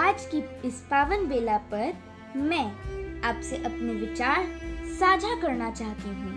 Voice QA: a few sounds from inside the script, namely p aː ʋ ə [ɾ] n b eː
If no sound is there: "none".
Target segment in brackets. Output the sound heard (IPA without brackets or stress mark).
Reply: none